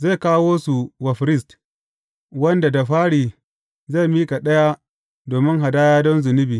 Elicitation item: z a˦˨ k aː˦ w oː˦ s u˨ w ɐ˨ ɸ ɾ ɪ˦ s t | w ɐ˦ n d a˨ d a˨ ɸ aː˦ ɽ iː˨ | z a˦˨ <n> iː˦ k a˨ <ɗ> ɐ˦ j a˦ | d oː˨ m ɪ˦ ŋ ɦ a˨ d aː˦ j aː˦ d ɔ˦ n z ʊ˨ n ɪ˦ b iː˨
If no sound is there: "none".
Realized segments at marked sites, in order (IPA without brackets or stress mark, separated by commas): m, ɗ